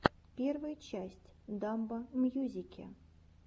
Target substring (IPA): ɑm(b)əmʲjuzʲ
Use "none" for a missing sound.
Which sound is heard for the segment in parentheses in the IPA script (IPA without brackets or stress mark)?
b